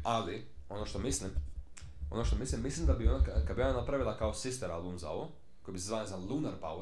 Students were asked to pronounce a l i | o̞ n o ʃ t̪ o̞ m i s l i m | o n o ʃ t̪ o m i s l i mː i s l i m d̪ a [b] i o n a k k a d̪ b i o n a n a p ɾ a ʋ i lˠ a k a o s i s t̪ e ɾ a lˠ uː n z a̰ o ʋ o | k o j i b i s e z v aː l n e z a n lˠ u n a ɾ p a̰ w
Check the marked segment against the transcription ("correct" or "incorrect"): correct